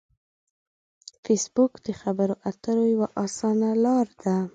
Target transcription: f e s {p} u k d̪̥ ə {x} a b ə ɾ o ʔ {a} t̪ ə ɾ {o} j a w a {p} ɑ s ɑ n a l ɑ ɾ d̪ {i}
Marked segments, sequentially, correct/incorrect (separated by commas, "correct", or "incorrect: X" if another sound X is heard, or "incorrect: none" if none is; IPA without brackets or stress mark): incorrect: b, correct, correct, correct, incorrect: ʔ, incorrect: a